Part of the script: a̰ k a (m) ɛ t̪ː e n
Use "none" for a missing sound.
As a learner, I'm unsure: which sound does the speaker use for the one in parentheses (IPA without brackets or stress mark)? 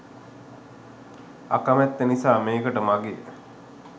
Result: m